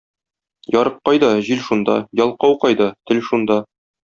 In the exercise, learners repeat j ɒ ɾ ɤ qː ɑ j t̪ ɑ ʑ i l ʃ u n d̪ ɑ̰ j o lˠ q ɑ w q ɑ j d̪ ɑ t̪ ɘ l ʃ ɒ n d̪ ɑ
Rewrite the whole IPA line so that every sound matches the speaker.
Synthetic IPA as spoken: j ɒ ɾ ɤ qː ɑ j d̪ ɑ ʑ i l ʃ u n d̪ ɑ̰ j ɒ lˠ q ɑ w q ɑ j d̪ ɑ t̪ ɘ l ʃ u n d̪ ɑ